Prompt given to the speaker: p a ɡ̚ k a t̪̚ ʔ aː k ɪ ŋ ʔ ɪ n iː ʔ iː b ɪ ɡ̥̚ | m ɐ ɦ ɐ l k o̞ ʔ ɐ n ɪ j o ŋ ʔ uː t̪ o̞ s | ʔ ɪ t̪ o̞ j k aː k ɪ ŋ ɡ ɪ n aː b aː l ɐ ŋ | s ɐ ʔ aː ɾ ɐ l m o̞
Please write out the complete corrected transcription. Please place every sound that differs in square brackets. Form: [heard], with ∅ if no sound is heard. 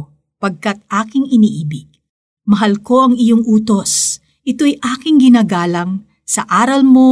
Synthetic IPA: p [ɐ] ɡ̚ k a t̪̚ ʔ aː k ɪ ŋ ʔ ɪ n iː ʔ iː b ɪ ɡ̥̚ | m ɐ ɦ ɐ l k o̞ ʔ ɐ [ŋ] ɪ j o ŋ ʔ uː t̪ o̞ s | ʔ ɪ t̪ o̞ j [ʔ] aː k ɪ ŋ ɡ ɪ n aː [ɡ] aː l ɐ ŋ | s ɐ ʔ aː ɾ ɐ l m o̞